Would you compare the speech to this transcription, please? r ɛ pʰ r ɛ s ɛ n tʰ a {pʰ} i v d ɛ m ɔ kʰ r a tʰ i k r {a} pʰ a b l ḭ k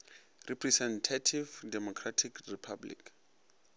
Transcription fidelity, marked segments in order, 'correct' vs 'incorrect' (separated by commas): incorrect, incorrect